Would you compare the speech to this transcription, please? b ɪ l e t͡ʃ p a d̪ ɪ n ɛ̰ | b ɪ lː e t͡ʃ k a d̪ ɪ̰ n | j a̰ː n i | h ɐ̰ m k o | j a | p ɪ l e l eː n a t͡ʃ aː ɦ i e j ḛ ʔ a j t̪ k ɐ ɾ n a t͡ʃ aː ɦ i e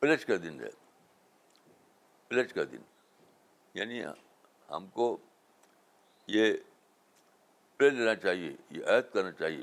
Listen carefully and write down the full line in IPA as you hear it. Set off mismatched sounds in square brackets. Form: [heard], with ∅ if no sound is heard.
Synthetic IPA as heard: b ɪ l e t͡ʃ [k] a d̪ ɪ n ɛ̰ | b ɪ [l] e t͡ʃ k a d̪ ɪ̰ n | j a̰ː n i | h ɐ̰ m k o | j [e] | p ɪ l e l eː n a t͡ʃ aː ɦ i e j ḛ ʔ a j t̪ k ɐ ɾ n a t͡ʃ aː ɦ i e